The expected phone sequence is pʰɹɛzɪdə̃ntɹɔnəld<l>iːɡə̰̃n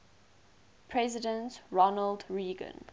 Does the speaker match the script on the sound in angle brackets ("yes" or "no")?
no